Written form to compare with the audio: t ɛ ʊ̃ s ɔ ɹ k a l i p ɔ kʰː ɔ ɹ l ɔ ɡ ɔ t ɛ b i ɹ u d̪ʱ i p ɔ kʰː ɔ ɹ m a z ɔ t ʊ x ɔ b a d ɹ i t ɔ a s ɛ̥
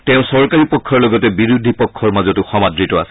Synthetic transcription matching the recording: t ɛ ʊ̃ s ɔ ɹ k a ɹ i p ɔ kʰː ɔ ɹ l ɔ ɡ ɔ t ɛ b i ɹ u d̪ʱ i p ɔ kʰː ɔ ɹ m a z ɔ t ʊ x ɔ m a d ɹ i t ɔ a s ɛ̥